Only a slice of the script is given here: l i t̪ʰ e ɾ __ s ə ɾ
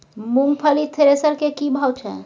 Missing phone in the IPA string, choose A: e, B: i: A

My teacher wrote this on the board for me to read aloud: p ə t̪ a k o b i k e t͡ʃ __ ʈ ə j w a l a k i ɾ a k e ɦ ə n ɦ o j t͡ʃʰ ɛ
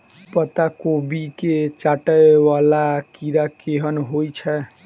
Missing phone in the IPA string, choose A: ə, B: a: B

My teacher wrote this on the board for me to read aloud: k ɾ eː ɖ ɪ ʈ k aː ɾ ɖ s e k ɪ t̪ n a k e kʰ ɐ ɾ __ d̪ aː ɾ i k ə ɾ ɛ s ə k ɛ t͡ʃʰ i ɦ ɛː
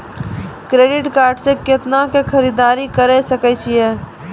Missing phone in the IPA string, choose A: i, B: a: A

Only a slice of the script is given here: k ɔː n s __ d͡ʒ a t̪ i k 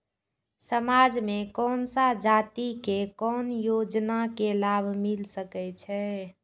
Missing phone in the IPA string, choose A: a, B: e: A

